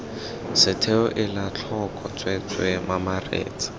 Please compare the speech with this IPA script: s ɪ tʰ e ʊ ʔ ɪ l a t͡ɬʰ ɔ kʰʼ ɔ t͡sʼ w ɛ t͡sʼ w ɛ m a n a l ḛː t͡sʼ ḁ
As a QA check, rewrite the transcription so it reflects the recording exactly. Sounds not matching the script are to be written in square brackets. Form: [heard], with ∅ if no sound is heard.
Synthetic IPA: s ɪ tʰ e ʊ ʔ ɪ l a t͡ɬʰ ɔ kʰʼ ɔ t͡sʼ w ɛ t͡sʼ w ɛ m a [m] a [r] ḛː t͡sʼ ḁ